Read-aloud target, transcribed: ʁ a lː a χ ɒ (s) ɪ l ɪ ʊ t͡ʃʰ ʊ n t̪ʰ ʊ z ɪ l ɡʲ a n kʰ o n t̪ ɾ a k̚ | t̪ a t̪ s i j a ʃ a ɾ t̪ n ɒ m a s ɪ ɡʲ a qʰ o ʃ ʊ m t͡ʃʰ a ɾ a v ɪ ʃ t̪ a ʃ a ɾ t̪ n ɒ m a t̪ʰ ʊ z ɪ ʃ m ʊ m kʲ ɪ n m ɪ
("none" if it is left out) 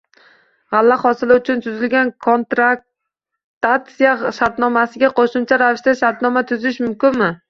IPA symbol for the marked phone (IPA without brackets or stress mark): s